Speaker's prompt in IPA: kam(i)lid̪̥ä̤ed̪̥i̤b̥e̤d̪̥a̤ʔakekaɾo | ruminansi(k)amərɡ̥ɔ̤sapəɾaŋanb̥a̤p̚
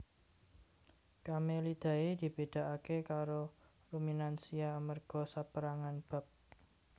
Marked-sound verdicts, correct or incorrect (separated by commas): incorrect, incorrect